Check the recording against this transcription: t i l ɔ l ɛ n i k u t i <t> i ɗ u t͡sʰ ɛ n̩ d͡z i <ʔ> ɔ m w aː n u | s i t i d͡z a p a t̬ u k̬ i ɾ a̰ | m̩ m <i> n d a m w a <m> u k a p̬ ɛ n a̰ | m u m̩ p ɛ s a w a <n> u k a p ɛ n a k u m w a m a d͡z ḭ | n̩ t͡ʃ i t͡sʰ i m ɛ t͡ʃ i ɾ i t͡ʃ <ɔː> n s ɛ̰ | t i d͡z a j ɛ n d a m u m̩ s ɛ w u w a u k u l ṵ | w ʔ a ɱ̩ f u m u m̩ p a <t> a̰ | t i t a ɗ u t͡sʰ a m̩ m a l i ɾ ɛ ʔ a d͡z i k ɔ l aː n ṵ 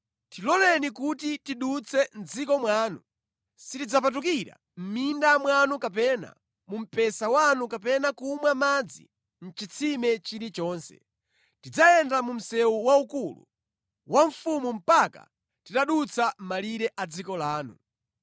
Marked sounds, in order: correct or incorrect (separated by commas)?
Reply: correct, incorrect, correct, incorrect, correct, correct, incorrect